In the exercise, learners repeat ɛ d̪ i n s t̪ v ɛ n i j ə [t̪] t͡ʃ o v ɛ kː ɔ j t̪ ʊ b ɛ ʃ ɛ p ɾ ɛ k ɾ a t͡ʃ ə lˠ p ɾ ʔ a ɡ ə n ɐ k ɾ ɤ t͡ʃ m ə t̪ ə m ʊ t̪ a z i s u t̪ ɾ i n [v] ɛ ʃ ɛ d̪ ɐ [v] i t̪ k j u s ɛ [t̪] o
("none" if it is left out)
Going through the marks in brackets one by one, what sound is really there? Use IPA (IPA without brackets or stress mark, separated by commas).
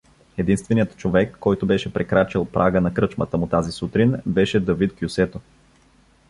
t̪, b, v, t̪